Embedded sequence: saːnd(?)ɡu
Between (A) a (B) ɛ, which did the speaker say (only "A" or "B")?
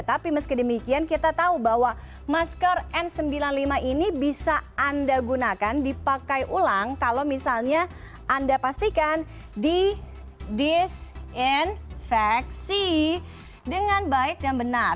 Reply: A